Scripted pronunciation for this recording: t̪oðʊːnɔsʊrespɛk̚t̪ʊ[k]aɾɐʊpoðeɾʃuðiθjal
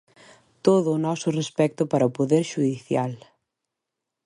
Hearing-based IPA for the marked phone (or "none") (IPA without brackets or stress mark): p